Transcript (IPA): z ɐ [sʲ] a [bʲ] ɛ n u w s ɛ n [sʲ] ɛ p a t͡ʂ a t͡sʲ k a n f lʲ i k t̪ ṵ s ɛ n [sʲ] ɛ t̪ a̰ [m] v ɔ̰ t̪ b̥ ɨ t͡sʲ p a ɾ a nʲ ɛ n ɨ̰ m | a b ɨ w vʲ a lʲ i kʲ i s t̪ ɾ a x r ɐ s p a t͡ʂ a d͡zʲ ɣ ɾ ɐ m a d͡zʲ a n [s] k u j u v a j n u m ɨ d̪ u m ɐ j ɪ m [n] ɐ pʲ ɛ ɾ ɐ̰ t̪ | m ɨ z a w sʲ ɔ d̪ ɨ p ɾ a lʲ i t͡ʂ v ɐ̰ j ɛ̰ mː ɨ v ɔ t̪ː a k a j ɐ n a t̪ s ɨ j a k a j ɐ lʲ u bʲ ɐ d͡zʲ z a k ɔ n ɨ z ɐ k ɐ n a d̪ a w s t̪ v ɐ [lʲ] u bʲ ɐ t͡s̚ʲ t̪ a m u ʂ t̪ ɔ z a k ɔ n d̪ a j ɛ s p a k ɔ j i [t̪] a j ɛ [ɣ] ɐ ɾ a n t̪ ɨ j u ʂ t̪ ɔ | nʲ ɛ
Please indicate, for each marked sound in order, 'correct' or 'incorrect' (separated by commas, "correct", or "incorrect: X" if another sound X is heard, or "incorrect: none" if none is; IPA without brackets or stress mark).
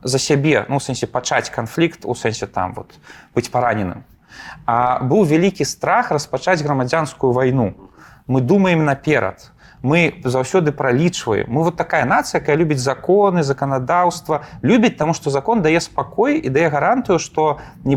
correct, correct, correct, correct, correct, correct, correct, correct, incorrect: d̪, correct